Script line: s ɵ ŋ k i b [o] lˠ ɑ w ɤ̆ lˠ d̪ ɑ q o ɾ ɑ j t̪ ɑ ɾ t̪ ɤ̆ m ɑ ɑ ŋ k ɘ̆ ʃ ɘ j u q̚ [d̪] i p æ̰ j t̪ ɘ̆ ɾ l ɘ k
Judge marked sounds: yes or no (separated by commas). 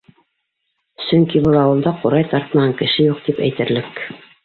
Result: no, no